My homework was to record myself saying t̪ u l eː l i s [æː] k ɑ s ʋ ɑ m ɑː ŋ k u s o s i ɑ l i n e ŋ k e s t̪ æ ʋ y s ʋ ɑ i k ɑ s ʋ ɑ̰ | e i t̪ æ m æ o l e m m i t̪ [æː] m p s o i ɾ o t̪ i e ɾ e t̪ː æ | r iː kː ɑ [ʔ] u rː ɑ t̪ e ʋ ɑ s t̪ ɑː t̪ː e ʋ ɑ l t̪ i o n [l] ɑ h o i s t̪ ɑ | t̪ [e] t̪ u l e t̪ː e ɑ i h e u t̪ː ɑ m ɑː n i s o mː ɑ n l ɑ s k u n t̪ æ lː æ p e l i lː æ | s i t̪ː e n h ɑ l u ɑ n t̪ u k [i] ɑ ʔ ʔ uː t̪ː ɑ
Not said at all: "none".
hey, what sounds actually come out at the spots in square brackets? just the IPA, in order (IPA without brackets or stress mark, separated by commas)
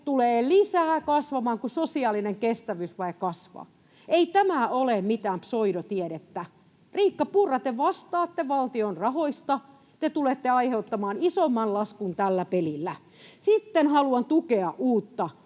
æː, æː, p, r, e, e